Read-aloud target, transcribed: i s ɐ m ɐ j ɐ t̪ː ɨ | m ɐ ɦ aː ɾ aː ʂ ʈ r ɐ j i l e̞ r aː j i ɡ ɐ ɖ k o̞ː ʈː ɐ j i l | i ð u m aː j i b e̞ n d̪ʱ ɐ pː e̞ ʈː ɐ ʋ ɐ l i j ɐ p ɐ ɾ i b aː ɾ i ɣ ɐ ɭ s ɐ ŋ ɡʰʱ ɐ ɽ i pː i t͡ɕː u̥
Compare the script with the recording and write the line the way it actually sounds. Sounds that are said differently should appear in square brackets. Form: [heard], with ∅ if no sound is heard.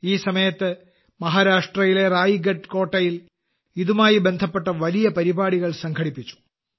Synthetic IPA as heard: [iː] s ɐ m ɐ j ɐ t̪ː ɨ | m ɐ ɦ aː ɾ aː ʂ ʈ r ɐ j i l e̞ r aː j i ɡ ɐ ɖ k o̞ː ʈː ɐ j i l | i ð u m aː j i b e̞ n d̪ʱ ɐ pː e̞ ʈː ɐ ʋ ɐ l i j ɐ p ɐ ɾ i b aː [ɽ] i ɣ ɐ ɭ s ɐ ŋ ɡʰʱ ɐ ɽ i pː i t͡ɕː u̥